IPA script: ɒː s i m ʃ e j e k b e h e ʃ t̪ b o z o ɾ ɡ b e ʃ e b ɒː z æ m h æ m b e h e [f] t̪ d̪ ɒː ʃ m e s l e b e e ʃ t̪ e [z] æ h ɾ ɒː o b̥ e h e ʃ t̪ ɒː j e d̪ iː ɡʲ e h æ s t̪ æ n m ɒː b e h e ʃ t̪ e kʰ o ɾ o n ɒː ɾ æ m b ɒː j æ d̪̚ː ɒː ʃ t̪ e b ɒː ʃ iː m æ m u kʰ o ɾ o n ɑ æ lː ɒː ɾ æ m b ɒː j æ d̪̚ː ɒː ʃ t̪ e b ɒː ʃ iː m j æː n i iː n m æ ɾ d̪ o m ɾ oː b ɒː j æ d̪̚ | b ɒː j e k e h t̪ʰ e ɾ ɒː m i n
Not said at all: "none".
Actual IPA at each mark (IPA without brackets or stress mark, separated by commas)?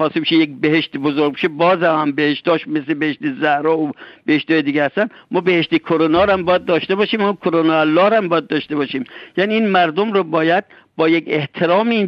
ʃ, z